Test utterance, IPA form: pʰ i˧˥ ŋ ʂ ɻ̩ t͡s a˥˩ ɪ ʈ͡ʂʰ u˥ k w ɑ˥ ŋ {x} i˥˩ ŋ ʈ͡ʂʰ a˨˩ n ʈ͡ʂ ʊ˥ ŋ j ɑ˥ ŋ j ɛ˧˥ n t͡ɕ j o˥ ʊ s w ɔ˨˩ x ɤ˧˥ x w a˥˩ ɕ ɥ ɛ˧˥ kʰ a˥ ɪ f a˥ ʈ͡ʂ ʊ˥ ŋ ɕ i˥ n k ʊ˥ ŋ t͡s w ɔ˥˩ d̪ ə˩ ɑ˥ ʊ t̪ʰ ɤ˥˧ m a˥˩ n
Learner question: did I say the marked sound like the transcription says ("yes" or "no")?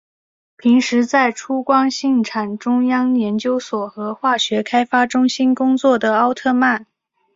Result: no